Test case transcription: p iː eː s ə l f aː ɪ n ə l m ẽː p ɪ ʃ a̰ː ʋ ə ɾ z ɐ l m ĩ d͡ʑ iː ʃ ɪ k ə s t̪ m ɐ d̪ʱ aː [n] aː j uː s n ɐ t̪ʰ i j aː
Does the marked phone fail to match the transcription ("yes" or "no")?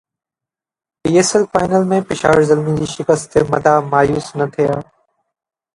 yes